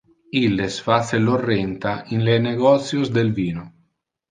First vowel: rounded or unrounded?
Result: unrounded